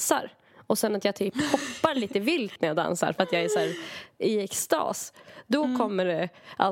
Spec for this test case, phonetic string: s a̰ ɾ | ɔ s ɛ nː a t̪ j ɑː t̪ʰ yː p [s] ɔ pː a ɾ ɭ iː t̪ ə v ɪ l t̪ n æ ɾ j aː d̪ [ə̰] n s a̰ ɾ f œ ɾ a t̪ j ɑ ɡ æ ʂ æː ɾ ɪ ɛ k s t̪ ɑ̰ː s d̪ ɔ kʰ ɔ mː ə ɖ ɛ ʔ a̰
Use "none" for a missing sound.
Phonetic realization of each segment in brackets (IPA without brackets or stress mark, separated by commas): h, a̰